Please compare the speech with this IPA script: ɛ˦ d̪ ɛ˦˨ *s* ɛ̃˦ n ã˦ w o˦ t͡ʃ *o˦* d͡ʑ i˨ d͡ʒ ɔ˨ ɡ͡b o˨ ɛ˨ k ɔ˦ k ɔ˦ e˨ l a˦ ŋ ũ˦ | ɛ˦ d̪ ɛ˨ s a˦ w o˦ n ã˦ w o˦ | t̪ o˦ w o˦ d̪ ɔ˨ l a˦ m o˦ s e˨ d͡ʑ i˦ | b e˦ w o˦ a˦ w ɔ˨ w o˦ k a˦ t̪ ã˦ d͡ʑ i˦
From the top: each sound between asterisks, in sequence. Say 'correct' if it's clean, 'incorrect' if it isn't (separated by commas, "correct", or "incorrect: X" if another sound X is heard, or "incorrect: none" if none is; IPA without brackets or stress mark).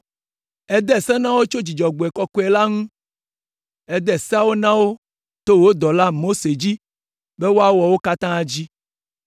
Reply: correct, correct